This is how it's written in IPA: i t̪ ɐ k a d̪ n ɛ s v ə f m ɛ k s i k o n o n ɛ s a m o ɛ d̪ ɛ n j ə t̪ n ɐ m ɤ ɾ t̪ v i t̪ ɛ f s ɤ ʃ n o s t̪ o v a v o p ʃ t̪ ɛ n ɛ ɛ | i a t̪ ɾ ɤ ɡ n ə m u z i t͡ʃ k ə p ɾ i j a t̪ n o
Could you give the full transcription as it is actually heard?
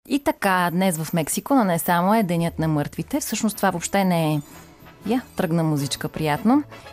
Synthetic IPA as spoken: i t̪ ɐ k a d̪ n ɛ s v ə f m ɛ k s i k o n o n ɛ s a m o ɛ d̪ ɛ n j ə t̪ n ɐ m ɤ ɾ t̪ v i t̪ ɛ f s ɤ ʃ n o s t̪ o v a v o p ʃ t̪ ɛ n ɛ ɛ | j a t̪ ɾ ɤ ɡ n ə m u z i t͡ʃ k ə p ɾ i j a t̪ n o